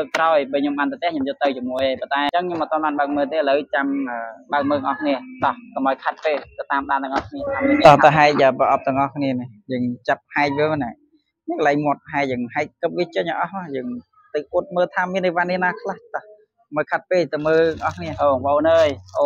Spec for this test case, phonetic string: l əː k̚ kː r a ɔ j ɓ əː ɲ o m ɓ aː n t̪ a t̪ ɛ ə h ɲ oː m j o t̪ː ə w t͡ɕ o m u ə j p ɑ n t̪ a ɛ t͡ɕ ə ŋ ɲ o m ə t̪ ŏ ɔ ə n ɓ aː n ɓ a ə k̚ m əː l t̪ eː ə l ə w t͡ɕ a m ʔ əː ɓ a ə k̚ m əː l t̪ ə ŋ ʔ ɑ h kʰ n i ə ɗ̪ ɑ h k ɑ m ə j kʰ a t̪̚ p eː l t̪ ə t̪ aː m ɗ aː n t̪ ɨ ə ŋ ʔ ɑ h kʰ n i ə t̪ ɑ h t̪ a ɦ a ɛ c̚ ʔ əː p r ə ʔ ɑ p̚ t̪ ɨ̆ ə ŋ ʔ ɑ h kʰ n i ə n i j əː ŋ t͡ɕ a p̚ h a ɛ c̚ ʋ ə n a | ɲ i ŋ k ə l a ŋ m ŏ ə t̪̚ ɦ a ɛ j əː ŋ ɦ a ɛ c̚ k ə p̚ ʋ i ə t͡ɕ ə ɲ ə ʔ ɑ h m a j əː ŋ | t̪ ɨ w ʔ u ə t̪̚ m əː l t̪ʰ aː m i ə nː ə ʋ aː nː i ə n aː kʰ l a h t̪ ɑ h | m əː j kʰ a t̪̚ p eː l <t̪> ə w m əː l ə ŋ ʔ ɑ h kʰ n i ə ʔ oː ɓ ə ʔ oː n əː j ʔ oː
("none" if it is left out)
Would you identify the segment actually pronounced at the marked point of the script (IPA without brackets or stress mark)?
t̪